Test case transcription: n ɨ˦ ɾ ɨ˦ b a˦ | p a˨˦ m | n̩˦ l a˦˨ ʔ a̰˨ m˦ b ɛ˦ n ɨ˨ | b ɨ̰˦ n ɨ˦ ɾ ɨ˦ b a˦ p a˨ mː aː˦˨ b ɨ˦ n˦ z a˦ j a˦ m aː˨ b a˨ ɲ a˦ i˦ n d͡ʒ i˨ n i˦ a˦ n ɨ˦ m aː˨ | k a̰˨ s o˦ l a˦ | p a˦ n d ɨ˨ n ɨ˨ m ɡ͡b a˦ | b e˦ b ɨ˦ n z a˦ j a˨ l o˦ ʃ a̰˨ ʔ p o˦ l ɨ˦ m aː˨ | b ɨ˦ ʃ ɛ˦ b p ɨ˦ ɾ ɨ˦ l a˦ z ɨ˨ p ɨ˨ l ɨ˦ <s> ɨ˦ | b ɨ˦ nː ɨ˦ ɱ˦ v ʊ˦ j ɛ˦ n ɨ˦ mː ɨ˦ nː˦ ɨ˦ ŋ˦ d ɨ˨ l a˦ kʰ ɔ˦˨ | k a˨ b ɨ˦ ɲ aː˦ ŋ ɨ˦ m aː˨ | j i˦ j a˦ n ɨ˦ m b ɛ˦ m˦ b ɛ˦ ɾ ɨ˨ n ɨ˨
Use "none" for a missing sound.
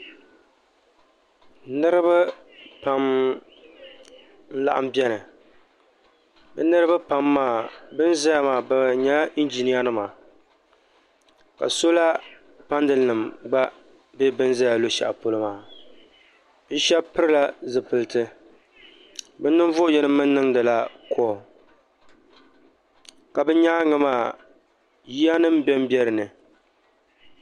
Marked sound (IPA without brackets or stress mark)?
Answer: t